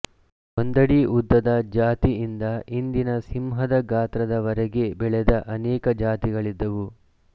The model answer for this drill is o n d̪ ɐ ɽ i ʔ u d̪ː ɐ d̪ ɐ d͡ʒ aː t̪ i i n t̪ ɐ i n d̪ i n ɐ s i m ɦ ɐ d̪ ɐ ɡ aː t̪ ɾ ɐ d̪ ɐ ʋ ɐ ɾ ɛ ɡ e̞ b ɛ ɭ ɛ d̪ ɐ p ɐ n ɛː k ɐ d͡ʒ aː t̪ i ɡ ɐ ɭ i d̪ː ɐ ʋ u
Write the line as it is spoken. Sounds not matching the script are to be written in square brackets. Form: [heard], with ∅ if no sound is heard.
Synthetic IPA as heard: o n d̪ ɐ ɽ i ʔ u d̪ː ɐ d̪ ɐ d͡ʒ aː t̪ i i n [d̪] ɐ i n d̪ i n ɐ s i m ɦ ɐ d̪ ɐ ɡ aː t̪ ɾ ɐ d̪ ɐ ʋ ɐ ɾ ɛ ɡ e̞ b ɛ ɭ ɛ d̪ ɐ [ʔ] ɐ n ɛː k ɐ d͡ʒ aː t̪ i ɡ ɐ ɭ i d̪ː ɐ ʋ u

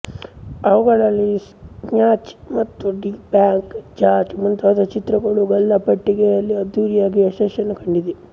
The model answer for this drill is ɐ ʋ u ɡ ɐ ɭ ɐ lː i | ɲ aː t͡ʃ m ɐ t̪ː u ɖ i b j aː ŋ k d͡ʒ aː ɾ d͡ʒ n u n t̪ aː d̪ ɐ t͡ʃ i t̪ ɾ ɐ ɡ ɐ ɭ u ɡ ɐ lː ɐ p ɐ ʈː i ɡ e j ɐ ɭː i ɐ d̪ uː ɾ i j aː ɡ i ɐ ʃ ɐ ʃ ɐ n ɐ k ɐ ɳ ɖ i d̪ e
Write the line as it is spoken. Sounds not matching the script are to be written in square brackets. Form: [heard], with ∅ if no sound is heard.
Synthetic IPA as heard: ɐ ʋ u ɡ ɐ ɭ ɐ lː i | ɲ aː t͡ʃ m ɐ t̪ː u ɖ i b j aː ŋ k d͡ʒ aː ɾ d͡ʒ [m] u n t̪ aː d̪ ɐ t͡ʃ i t̪ ɾ ɐ ɡ ɐ ɭ u ɡ ɐ lː ɐ p ɐ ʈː i ɡ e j ɐ [lː] i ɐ d̪ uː ɾ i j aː ɡ i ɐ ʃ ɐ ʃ ɐ n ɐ k ɐ ɳ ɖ i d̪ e

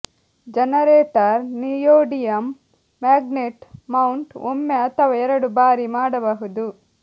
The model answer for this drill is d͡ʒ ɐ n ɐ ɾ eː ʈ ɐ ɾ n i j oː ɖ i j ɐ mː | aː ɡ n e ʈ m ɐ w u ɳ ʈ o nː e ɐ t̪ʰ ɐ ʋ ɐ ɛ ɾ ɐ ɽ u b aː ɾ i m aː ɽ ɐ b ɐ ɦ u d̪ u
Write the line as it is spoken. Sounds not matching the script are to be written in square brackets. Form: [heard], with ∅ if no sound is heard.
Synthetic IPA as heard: d͡ʒ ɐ n ɐ ɾ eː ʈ ɐ ɾ n i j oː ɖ i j ɐ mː | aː ɡ n e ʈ m ɐ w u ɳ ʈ o [mː] e ɐ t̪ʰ ɐ ʋ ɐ ɛ ɾ ɐ ɽ u b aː ɾ i m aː ɽ ɐ b ɐ ɦ u d̪ u

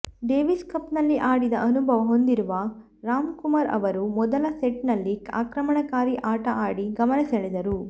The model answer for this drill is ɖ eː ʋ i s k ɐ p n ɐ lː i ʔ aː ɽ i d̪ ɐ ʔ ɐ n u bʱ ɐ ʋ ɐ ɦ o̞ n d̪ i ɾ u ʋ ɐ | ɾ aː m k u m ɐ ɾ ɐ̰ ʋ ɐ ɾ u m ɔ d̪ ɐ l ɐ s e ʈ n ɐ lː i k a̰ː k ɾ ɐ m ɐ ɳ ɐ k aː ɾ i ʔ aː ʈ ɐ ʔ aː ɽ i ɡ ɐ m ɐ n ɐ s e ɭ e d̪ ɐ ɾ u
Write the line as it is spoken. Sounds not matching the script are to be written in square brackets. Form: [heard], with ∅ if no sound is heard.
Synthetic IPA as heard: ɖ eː ʋ i s k ɐ p n ɐ lː i ʔ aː ɽ i d̪ ɐ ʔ ɐ n u bʱ ɐ ʋ ɐ ɦ o̞ n d̪ i ɾ u ʋ ɐ | ɾ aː m k u m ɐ ɾ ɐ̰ ʋ ɐ ɾ u m ɔ d̪ ɐ l ɐ s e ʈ n ɐ lː i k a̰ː k ɾ ɐ m ɐ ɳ ɐ k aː ɾ i ʔ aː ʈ ɐ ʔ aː ɽ i ɡ ɐ m ɐ n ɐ s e ɭ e d̪ ɐ ɾ u

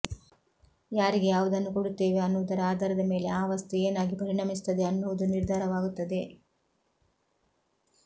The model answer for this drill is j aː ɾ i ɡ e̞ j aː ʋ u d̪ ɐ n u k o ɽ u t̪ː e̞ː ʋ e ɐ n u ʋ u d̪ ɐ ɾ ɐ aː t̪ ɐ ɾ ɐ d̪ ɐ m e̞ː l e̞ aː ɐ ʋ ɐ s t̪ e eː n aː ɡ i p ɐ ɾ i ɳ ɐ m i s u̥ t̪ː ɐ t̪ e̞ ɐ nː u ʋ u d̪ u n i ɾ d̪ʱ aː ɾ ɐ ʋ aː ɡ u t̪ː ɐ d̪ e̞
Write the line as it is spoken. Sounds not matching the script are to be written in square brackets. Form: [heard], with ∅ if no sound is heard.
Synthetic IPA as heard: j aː ɾ i ɡ e̞ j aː ʋ u d̪ ɐ [nː] u k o ɽ u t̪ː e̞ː ʋ e ɐ [nː] u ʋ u d̪ ɐ ɾ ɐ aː [d̪] ɐ ɾ ɐ d̪ ɐ m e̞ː l e̞ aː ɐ ʋ ɐ s t̪ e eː n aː ɡ i p ɐ ɾ i ɳ ɐ m i s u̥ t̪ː ɐ [d̪] e̞ ɐ nː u ʋ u d̪ u n i ɾ d̪ʱ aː ɾ ɐ ʋ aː ɡ u t̪ː ɐ d̪ e̞

